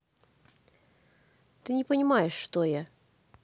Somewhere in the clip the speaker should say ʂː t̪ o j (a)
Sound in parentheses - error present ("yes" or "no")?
no